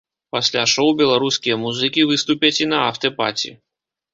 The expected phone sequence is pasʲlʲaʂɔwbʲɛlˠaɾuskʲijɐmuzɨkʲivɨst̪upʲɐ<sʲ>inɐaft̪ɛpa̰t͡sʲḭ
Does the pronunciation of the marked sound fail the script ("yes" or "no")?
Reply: yes